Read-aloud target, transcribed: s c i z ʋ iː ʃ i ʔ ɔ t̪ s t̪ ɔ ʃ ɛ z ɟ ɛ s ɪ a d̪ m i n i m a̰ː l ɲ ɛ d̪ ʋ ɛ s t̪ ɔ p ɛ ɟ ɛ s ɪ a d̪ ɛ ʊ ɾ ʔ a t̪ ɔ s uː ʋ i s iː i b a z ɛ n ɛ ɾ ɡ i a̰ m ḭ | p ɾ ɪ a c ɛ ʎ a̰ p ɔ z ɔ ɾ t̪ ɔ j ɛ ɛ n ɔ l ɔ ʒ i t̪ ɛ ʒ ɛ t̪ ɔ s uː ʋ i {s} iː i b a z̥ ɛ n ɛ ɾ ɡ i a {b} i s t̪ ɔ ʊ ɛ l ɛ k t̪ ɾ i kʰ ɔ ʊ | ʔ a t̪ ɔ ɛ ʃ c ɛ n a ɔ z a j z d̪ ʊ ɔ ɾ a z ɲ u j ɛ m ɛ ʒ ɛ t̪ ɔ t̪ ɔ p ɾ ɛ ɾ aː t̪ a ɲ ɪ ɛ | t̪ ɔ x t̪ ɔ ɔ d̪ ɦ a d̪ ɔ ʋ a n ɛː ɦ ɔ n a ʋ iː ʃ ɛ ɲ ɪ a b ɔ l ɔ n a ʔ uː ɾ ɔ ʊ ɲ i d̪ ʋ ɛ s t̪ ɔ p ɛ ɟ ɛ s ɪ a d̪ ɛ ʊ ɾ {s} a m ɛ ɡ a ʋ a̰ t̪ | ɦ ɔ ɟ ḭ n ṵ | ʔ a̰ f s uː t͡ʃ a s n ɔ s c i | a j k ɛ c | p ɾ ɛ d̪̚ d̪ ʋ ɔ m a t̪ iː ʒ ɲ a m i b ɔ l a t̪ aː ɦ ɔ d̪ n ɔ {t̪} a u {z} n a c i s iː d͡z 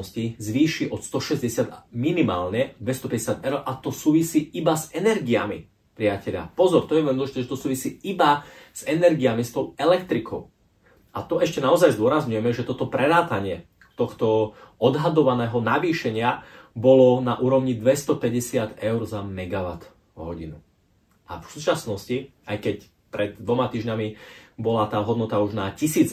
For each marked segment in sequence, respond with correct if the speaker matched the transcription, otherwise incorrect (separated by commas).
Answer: correct, incorrect, incorrect, correct, incorrect